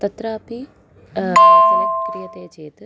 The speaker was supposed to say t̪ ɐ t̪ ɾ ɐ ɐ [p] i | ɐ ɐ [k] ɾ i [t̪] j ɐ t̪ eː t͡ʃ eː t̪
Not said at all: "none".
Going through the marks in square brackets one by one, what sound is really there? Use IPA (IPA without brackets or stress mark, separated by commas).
p, k, none